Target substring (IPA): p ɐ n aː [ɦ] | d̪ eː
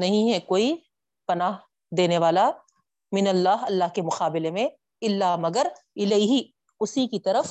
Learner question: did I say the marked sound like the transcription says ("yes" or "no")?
yes